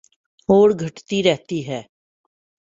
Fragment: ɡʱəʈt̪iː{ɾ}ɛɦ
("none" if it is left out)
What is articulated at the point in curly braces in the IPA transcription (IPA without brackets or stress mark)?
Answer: ɾ